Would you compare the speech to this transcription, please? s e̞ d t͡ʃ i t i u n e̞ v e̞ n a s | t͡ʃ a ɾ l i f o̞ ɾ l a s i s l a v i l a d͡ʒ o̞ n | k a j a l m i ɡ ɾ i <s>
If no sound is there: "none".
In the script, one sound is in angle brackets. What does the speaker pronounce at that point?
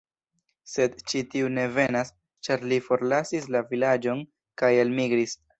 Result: s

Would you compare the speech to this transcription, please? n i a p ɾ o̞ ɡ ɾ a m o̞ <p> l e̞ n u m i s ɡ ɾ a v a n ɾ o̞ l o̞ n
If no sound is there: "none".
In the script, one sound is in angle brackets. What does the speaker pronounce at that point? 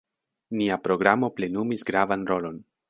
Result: p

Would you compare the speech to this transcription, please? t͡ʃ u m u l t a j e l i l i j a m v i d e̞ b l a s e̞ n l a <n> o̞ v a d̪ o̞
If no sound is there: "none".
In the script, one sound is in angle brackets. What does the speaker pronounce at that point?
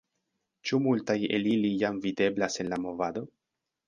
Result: m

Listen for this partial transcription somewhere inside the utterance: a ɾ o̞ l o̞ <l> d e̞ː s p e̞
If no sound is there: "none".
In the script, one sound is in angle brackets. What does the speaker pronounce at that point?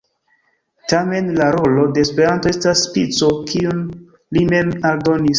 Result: none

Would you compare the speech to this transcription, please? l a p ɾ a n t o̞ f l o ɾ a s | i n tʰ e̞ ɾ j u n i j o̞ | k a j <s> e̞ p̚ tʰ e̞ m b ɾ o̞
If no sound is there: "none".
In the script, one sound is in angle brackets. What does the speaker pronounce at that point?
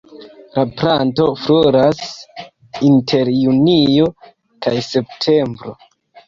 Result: s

